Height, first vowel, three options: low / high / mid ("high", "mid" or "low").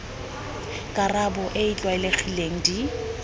low